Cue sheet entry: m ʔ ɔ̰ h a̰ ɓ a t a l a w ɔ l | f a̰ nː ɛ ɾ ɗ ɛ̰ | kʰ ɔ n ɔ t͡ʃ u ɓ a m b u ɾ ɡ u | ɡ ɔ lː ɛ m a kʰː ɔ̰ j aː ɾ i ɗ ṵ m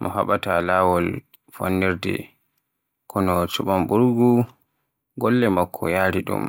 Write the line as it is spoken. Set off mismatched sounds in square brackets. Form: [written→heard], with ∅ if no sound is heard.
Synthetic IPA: m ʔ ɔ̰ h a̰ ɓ a t a l a w ɔ l | f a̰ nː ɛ ɾ [ɗ→d] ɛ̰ | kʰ ɔ n ɔ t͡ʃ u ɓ a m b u ɾ ɡ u | ɡ ɔ lː ɛ m a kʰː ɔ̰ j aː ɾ i ɗ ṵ m